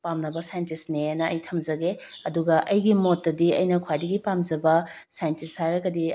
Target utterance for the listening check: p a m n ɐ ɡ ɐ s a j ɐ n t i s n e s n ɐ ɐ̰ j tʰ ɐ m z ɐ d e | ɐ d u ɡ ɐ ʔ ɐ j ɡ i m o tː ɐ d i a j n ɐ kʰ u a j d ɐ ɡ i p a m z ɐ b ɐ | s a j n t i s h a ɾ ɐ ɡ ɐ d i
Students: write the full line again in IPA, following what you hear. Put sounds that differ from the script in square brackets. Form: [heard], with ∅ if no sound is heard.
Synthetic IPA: p a m n ɐ [b] ɐ s a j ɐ n t i s n e [∅] n ɐ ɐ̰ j tʰ ɐ m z ɐ [ɡ] e | ɐ d u ɡ ɐ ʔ ɐ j ɡ i m o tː ɐ d i [ɐ] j n ɐ kʰ [w] a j d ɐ ɡ i p a m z ɐ b ɐ | s a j n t i s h a ɾ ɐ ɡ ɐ d i